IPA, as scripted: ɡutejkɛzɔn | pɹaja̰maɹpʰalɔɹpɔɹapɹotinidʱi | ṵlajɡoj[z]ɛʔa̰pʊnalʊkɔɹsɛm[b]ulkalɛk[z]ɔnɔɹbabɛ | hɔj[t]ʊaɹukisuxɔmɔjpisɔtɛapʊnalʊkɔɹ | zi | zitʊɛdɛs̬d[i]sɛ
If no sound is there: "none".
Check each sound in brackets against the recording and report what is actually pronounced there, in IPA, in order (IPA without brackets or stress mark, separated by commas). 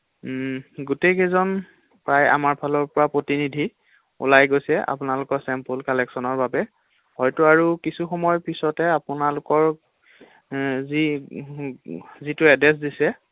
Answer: s, p, s, t, i